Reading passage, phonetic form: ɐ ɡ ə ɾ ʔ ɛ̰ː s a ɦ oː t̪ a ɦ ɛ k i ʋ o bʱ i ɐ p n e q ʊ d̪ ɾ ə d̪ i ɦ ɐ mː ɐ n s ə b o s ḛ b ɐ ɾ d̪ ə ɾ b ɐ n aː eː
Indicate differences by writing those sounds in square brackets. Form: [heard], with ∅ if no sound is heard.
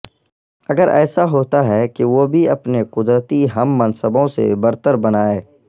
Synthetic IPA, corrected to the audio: ɐ ɡ ə ɾ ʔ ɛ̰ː s a ɦ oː t̪ a ɦ ɛ k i ʋ o bʱ i ɐ p n e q ʊ d̪ ɾ ə [t̪] i ɦ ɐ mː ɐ n s ə b [õ] s ḛ b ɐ ɾ [t̪] ə ɾ b ɐ n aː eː